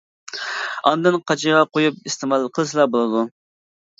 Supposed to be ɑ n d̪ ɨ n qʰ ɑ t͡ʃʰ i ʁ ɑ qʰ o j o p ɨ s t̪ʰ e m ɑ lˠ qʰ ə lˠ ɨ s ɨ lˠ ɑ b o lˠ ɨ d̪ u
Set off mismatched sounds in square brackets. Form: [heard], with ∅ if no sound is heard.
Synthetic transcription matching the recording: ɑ n d̪ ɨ n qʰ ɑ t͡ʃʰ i ʁ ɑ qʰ o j [u] p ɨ s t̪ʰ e m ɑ lˠ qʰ ə lˠ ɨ s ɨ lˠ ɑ b o lˠ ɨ d̪ u